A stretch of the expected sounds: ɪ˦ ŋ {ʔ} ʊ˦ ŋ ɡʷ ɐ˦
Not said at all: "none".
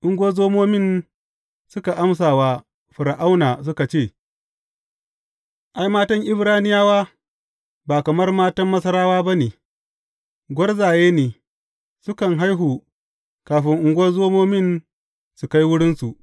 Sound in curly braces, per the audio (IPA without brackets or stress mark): ʔ